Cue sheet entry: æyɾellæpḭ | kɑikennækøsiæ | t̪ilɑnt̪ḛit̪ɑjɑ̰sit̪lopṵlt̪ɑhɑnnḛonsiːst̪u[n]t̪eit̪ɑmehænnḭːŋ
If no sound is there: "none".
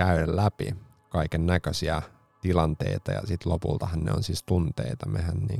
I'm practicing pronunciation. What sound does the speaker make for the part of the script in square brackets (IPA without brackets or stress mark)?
n